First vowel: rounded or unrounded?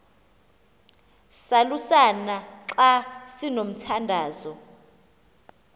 unrounded